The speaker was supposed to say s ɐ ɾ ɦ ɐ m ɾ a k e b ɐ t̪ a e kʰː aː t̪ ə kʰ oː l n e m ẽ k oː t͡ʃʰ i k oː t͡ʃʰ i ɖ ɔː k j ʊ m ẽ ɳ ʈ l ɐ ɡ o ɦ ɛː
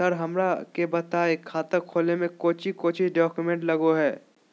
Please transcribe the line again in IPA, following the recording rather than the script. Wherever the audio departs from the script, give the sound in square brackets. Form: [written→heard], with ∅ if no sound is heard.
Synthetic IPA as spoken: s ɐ ɾ ɦ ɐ m ɾ a k e b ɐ t̪ a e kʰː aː t̪ ə kʰ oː l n e m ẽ k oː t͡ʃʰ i k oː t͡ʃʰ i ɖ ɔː k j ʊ m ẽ ɳ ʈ l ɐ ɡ o ɦ ɛː